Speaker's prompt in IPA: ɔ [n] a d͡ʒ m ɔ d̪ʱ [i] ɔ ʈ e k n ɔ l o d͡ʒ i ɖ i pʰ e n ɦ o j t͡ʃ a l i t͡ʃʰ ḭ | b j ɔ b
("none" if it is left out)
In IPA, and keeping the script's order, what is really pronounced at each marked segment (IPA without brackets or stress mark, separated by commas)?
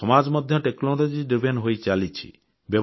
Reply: m, j